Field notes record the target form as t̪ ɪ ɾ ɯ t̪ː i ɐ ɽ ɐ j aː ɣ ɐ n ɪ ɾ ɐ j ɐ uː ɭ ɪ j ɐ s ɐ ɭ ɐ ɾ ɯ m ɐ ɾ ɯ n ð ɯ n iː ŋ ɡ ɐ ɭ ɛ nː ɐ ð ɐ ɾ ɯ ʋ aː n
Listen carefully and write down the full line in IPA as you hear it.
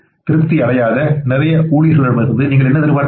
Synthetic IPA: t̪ ɪ ɾ ɯ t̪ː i ɐ ɽ ɐ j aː ð ɐ n ɪ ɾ ɐ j ɐ uː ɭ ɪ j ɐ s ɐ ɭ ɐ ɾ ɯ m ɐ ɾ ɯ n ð ɯ n iː ŋ ɡ ɐ ɭ ɛ nː ɐ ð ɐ ɾ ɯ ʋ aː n